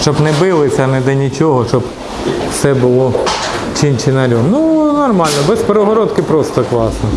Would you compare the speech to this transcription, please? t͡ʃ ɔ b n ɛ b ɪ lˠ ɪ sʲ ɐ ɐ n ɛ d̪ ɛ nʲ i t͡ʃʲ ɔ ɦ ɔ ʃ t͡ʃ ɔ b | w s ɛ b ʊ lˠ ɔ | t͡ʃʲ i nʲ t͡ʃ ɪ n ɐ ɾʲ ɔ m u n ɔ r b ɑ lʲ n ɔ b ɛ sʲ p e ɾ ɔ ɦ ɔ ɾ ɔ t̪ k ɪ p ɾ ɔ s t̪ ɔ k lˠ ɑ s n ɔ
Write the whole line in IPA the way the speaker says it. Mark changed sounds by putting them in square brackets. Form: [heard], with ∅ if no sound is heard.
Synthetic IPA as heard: t͡ʃ ɔ b n ɛ b ɪ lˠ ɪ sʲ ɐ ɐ n ɛ d̪ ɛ nʲ i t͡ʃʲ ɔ ɦ ɔ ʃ t͡ʃ ɔ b | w s ɛ b ʊ lˠ ɔ | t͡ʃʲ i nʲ t͡ʃ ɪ n ɐ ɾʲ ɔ [n] u n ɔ r [m] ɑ lʲ n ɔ b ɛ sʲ p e ɾ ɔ ɦ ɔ ɾ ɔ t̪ k ɪ p ɾ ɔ s t̪ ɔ k lˠ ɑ s n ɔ